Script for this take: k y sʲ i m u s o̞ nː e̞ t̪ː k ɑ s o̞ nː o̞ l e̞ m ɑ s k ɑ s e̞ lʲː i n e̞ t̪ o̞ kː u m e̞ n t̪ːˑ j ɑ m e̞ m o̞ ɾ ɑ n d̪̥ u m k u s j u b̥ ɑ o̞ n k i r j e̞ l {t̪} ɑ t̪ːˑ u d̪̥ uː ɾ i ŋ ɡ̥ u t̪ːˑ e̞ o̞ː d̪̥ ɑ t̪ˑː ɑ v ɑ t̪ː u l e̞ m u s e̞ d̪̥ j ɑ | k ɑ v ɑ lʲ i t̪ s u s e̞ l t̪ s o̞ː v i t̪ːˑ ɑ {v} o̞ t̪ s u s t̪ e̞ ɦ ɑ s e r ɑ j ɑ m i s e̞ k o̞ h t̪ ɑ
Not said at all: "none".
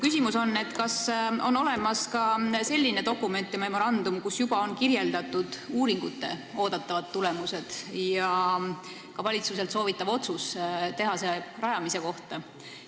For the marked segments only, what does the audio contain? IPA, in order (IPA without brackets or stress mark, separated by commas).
d̪, v